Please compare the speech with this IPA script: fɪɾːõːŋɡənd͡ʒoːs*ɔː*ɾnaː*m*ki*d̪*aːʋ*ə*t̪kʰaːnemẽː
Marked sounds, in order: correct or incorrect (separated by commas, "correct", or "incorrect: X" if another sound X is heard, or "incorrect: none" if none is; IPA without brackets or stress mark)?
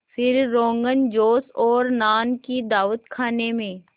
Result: correct, incorrect: n, correct, correct